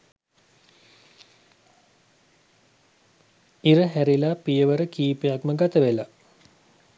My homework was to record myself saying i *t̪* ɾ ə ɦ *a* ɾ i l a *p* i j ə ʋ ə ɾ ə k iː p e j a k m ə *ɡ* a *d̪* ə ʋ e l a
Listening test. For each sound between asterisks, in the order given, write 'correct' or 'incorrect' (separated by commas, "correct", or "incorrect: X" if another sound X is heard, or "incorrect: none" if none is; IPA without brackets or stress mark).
incorrect: none, incorrect: æ, correct, correct, incorrect: t̪